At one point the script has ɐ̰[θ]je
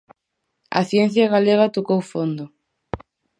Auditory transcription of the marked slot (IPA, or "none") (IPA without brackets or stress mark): θ